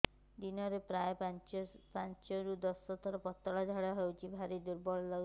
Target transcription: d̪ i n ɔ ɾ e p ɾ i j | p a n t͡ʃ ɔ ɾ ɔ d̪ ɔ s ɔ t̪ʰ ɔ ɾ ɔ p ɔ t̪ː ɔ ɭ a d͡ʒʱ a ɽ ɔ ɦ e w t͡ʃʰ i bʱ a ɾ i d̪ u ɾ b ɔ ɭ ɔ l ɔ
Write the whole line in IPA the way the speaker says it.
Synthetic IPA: d̪ i n ɔ ɾ e p ɾ a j | p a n t͡ʃ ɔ ɾ u d̪ ɔ s ɔ t̪ʰ ɔ ɾ ɔ p ɔ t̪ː ɔ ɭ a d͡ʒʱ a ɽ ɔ ɦ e w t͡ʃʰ i bʱ a ɾ i d̪ u ɾ b ɔ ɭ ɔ l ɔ